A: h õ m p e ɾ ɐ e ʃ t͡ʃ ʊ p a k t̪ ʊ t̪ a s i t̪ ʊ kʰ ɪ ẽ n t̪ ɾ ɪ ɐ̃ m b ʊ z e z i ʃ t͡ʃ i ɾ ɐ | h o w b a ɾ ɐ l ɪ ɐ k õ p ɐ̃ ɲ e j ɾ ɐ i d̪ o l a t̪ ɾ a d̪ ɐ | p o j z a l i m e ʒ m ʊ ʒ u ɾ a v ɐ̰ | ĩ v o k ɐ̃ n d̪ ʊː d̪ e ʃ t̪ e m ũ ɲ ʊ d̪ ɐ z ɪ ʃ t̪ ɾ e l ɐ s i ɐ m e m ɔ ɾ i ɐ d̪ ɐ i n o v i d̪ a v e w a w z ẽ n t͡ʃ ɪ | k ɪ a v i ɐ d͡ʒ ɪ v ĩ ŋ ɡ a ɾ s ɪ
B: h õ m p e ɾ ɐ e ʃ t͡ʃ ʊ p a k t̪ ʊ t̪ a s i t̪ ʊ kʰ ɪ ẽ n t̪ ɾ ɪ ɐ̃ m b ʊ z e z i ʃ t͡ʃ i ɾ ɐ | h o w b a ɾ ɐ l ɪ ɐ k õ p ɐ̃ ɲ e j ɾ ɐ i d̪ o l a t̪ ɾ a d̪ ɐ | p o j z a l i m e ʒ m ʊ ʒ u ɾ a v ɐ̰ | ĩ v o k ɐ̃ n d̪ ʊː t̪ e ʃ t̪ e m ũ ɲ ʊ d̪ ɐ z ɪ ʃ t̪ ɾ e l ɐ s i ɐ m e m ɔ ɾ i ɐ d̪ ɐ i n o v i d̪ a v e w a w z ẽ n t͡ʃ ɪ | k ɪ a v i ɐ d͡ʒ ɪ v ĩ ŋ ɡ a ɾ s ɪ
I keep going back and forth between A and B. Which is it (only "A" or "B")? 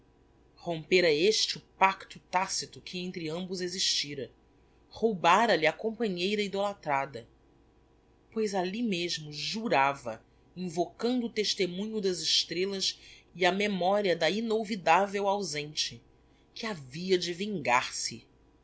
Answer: B